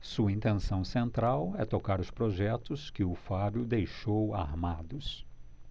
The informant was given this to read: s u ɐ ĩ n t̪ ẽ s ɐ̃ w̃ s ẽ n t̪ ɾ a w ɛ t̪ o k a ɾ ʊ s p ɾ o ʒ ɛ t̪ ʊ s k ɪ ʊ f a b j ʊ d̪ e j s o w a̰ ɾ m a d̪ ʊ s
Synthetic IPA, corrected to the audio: s u ɐ ĩ n t̪ ẽ s ɐ̃ w̃ s ẽ n t̪ ɾ a w ɛ t̪ o k a ɾ ʊ s p ɾ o ʒ ɛ t̪ ʊ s k ɪ ʊ f a b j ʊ d̪ e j ʃ o w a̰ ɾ m a d̪ ʊ s